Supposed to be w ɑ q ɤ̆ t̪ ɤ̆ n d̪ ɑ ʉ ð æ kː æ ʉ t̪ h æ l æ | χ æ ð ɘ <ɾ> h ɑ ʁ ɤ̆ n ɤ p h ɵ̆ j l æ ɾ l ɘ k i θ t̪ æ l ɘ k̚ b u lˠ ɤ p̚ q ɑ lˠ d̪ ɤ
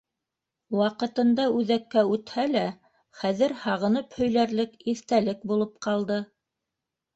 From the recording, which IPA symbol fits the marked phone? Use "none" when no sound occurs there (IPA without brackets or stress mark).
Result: ɾ